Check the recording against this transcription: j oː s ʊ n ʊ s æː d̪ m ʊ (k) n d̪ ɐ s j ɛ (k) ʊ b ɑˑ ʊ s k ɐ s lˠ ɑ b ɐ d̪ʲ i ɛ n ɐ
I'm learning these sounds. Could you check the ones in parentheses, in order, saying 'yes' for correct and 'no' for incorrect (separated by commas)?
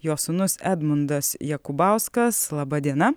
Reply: no, yes